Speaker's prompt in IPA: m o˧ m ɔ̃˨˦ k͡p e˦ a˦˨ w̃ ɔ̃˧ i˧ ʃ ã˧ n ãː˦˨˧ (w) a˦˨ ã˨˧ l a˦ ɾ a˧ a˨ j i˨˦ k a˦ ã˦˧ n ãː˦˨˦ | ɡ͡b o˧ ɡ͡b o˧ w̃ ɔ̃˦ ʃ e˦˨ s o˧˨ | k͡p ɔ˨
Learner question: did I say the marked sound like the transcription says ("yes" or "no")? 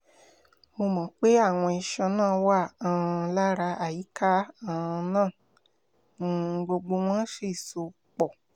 yes